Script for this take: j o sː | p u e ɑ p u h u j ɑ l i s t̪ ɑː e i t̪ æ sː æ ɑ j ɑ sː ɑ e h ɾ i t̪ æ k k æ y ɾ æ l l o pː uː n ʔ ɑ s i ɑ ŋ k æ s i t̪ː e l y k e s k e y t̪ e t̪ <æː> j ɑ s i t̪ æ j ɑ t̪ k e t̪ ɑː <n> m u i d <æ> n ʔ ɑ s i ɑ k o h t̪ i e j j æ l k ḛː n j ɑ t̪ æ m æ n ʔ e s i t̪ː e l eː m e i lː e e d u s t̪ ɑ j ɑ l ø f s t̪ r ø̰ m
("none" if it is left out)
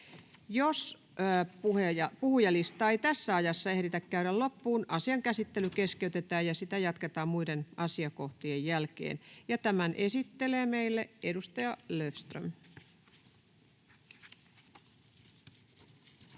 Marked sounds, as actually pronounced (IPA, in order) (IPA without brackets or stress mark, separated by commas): æː, m, e